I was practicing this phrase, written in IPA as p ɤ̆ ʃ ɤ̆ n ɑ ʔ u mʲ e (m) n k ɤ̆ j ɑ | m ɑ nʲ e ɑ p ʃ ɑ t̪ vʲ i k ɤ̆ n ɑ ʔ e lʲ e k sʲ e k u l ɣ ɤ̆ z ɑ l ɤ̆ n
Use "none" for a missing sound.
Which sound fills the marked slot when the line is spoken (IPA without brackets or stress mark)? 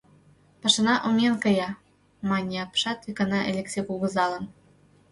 none